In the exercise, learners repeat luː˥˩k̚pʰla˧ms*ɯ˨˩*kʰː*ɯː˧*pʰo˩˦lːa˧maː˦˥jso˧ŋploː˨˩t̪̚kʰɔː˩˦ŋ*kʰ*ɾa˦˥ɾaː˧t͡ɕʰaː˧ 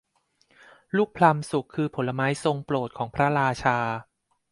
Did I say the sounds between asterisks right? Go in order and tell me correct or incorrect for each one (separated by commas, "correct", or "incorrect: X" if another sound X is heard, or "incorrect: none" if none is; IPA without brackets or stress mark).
incorrect: u˨˩, correct, incorrect: pʰ